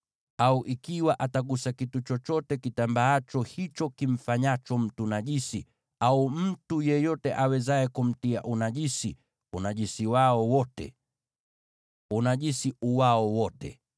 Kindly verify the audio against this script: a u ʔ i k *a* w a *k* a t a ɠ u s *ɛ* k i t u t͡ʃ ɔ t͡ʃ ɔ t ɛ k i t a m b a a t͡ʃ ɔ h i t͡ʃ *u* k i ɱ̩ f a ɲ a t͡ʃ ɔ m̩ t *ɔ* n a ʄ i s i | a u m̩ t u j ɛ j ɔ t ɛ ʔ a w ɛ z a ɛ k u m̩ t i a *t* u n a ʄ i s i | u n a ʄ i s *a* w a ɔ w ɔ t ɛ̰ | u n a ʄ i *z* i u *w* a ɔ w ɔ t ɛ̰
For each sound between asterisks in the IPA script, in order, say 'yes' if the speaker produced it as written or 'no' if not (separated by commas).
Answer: no, no, no, no, no, no, no, no, yes